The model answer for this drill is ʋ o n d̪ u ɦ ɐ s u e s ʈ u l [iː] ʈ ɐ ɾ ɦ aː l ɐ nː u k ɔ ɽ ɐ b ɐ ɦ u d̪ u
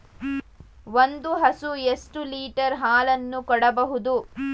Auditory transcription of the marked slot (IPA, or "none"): iː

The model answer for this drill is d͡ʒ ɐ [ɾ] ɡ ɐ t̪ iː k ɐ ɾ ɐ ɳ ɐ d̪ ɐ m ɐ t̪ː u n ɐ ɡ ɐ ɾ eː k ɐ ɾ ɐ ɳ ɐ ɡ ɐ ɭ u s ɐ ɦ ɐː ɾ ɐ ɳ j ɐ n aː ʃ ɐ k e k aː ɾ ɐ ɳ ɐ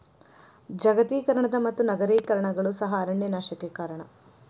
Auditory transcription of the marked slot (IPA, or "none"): none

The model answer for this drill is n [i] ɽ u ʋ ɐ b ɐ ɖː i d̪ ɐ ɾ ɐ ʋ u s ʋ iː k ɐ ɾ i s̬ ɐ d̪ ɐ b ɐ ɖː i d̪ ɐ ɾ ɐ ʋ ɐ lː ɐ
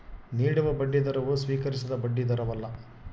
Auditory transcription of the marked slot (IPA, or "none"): iː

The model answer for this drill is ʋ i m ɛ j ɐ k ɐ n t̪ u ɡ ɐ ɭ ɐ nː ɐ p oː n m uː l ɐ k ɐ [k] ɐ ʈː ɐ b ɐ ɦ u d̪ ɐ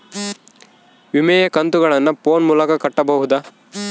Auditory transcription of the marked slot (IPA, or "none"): k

